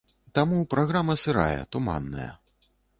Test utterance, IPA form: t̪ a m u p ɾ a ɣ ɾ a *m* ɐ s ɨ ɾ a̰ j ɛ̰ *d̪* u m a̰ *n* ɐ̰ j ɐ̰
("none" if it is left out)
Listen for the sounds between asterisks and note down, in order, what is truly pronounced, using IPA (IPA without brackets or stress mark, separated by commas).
m, t̪, nː